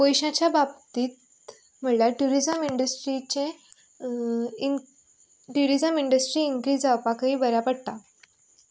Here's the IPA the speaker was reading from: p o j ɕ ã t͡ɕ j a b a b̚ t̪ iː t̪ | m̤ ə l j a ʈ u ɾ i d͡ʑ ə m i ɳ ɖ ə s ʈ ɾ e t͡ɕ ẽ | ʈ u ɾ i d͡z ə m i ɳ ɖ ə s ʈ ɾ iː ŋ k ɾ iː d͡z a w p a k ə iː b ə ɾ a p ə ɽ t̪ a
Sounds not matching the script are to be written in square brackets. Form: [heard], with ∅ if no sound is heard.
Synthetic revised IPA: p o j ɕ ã t͡ɕ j a b a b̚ t̪ iː t̪ | m̤ ə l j a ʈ u ɾ i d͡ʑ ə m i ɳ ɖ ə s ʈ ɾ [i] t͡ɕ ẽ | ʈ u ɾ i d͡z ə m i ɳ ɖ ə s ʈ ɾ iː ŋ k ɾ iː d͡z a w p a k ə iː b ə ɾ a p ə ɽ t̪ a